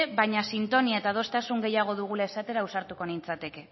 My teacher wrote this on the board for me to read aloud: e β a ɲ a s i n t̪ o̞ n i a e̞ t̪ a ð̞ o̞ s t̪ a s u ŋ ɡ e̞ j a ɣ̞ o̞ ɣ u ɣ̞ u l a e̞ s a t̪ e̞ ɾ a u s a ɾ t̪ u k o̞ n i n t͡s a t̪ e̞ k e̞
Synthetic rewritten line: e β a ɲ a s i n t̪ o̞ n i a e̞ t̪ a ð̞ o̞ s t̪ a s u ŋ ɡ e̞ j a ɣ̞ o̞ ð u ɣ̞ u l a e̞ s a t̪ e̞ ɾ a u s a ɾ t̪ u k o̞ n i n t͡s a t̪ e̞ k e̞